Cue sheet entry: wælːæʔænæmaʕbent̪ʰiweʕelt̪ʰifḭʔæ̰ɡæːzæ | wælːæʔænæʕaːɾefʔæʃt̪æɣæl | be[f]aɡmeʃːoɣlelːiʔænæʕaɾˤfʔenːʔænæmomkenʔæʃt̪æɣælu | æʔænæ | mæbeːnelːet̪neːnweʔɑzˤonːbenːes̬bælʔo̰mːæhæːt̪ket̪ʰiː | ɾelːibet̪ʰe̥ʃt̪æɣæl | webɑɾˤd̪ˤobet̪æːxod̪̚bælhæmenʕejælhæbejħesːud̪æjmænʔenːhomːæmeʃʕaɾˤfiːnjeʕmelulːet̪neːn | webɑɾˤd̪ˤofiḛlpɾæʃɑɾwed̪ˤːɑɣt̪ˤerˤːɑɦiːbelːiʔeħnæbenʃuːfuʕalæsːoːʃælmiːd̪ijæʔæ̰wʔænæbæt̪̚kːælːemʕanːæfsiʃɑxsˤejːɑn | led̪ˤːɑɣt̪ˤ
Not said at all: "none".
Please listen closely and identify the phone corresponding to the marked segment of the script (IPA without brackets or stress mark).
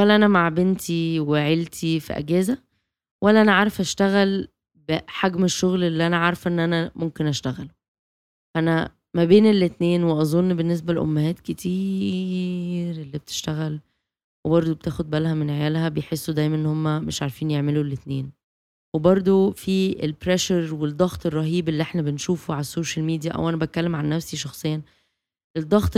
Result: ħ